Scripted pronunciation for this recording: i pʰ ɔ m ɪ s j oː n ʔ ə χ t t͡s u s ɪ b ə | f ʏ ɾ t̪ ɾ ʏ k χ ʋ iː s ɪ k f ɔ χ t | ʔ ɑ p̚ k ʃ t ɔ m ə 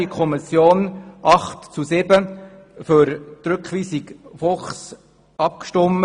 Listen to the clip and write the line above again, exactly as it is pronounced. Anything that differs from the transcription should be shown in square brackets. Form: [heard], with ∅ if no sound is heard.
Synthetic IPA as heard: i [kʰ] ɔ m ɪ s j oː n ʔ [ɑ] χ t t͡s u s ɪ b ə | f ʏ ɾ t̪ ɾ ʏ k χ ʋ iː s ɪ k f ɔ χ [s] | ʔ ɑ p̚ k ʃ t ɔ m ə

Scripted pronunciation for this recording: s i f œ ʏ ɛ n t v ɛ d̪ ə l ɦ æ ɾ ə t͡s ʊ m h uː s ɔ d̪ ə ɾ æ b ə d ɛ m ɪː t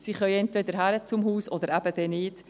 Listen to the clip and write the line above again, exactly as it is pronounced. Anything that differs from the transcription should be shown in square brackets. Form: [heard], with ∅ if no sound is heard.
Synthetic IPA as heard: s i [χ] œ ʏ ɛ n t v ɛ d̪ ə [ɾ] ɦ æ ɾ ə t͡s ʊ m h uː s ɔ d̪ ə ɾ æ b ə d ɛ [n] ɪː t

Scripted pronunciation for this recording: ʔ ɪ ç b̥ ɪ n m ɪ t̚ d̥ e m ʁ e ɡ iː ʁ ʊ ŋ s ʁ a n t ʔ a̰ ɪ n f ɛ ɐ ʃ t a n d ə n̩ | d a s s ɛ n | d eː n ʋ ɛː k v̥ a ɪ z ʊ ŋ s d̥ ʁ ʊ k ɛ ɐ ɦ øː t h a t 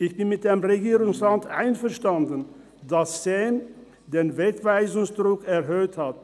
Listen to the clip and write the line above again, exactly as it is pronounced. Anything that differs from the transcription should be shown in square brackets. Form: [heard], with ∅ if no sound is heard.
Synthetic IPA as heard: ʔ ɪ ç b̥ ɪ n m ɪ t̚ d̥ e m ʁ e ɡ iː ʁ ʊ ŋ s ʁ a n t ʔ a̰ ɪ n f ɛ ɐ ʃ t a n d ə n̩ | d a s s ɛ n | d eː n [v] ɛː k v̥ a ɪ z ʊ ŋ s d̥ ʁ ʊ k ɛ ɐ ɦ øː t h a t

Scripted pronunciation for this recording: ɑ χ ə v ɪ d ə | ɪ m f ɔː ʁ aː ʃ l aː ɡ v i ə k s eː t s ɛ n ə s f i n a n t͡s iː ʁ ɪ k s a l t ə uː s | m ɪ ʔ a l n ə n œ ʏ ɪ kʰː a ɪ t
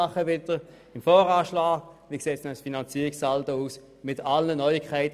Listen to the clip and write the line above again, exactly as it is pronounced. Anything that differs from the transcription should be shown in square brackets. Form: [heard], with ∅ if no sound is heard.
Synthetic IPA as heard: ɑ χ ə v ɪ d ə | ɪ m f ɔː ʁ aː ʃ l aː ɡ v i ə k s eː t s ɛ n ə s f i n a n t͡s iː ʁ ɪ k s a l t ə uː s | m ɪ [t] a l n ə n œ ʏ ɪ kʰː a ɪ t

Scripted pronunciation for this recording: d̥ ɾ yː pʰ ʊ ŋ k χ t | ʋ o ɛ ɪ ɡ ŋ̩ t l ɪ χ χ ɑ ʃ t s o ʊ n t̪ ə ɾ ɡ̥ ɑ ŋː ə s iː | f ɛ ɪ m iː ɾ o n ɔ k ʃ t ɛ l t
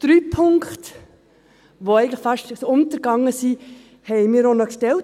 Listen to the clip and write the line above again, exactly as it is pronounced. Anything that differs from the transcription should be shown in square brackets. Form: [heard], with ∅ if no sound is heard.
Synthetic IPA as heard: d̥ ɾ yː pʰ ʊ ŋ k χ t | ʋ o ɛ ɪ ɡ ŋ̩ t l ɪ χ [f] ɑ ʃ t s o ʊ n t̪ ə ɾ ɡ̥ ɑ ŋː ə s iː | [h] ɛ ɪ m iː ɾ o n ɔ k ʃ t ɛ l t

